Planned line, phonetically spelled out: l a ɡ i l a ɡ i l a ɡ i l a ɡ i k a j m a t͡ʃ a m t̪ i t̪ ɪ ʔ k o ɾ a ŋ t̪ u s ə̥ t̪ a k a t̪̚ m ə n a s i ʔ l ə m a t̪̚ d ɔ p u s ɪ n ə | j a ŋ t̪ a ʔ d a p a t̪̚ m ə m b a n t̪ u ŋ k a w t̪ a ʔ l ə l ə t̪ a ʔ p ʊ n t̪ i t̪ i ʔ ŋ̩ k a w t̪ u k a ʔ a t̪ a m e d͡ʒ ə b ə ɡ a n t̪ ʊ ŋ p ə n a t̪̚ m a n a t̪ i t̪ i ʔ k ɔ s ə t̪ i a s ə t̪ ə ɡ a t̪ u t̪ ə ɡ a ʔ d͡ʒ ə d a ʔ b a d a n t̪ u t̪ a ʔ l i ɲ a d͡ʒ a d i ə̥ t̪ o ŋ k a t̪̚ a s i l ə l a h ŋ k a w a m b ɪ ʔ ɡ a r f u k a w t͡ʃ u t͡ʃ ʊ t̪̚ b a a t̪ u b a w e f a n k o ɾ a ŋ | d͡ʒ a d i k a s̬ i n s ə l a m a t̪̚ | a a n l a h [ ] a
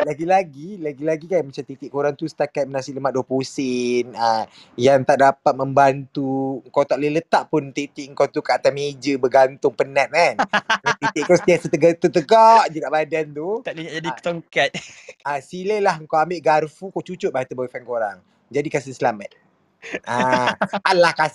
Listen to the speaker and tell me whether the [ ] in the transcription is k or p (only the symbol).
k